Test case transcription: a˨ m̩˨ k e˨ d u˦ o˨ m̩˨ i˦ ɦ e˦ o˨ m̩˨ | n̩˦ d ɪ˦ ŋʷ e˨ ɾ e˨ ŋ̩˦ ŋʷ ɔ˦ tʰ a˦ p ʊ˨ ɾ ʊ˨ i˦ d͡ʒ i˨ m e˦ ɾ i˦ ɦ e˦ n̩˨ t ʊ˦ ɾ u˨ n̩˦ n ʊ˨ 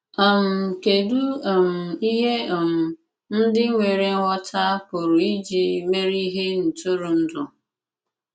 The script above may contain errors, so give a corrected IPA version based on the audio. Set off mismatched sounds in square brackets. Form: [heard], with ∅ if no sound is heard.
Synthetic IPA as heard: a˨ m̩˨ k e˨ d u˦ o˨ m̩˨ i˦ ɦ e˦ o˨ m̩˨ | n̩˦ d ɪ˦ ŋʷ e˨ ɾ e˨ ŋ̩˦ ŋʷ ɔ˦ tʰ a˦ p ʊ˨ ɾ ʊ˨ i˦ d͡ʒ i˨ m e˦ ɾ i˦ ɦ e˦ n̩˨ t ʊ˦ ɾ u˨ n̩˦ [d] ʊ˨